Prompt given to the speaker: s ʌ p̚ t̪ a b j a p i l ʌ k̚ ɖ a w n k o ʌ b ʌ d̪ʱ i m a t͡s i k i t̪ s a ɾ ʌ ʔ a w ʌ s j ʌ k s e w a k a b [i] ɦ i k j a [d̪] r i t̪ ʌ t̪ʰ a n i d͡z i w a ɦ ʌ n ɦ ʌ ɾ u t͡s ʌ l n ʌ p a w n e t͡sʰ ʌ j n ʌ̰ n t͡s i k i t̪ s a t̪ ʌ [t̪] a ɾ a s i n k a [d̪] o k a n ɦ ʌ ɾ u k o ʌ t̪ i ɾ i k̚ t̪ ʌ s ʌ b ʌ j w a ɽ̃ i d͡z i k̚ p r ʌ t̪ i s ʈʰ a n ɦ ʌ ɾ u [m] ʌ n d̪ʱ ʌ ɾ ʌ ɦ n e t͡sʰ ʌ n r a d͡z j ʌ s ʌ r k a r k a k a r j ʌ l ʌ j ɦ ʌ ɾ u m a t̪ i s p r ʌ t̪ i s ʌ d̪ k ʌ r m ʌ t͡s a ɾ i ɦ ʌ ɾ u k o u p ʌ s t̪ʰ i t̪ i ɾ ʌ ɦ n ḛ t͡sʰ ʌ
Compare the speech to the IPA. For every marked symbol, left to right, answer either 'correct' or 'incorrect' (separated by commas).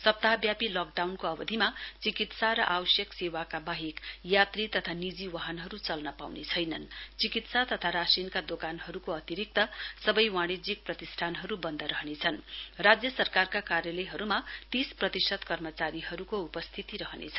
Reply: incorrect, incorrect, incorrect, correct, incorrect